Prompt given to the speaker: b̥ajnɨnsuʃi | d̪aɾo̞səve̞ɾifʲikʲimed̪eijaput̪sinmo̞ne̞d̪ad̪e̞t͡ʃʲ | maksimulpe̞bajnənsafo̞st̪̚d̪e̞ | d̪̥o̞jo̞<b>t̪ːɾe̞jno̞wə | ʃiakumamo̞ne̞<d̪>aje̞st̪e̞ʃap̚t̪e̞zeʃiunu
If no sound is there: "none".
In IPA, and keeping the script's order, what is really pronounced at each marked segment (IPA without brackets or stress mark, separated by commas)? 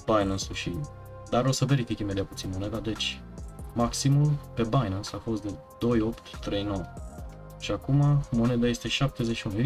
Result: p, d̪